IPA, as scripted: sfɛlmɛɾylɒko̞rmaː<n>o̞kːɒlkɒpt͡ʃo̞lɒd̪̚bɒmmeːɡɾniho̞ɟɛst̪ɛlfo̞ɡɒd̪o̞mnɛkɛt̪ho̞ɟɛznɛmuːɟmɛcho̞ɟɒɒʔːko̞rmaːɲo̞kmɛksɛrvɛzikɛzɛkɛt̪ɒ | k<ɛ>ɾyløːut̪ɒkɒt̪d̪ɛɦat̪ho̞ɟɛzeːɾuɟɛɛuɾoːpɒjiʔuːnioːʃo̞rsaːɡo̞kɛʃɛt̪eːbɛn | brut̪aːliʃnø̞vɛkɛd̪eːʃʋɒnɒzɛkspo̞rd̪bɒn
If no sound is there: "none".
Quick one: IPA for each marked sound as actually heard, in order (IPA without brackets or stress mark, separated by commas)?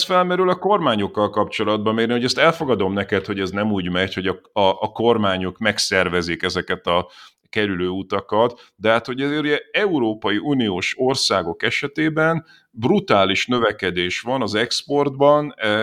ɲ, ɛ